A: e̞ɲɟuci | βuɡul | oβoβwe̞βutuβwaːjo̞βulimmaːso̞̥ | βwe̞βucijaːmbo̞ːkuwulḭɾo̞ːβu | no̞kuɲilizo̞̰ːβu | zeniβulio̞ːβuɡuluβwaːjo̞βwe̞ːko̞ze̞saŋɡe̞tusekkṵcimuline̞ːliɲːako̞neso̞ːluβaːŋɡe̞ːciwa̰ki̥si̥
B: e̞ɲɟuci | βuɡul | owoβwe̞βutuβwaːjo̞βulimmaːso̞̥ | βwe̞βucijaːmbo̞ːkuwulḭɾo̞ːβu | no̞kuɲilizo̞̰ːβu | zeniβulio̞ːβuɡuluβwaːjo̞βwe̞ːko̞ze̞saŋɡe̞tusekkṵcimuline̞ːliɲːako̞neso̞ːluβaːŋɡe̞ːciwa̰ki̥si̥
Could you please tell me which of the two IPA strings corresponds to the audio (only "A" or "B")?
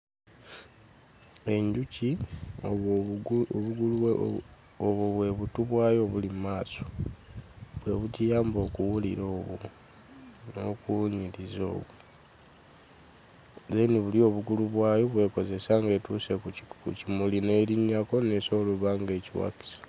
A